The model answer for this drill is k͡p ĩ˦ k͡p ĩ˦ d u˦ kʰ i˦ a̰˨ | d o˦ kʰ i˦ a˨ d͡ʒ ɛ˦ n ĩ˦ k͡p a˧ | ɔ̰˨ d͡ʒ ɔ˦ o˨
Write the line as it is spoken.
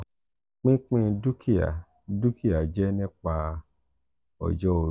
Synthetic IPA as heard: k͡p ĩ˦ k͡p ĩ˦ d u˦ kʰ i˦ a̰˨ | d u˦ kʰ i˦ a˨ d͡ʒ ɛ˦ n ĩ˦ k͡p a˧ | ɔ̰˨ d͡ʒ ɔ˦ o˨